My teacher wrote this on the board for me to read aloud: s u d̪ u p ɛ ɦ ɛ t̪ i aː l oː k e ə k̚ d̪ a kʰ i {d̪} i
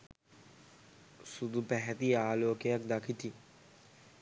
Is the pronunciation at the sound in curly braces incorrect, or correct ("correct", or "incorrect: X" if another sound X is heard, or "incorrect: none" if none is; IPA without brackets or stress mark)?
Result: incorrect: t̪